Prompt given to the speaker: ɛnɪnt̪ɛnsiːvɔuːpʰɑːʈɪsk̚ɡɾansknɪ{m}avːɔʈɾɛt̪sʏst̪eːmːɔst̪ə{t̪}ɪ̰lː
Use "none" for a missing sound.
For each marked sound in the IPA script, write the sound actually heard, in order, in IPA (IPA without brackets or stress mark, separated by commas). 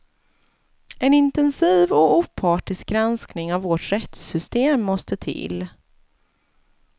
ŋ, t̪ʰ